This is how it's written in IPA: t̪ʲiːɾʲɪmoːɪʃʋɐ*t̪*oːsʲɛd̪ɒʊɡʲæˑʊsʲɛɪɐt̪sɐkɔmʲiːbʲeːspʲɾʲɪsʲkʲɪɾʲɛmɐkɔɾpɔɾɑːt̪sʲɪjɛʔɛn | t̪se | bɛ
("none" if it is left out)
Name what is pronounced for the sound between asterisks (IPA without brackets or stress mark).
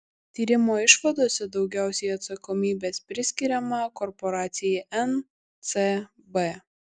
d̪